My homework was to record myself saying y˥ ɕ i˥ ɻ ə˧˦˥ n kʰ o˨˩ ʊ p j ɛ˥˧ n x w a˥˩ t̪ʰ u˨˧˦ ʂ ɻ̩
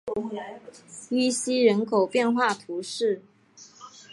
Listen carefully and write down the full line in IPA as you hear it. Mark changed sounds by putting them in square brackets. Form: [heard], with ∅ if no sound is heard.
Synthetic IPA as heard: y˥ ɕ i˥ ɻ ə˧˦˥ n kʰ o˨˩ ʊ p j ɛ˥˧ n x w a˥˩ t̪ʰ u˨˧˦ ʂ ɻ̩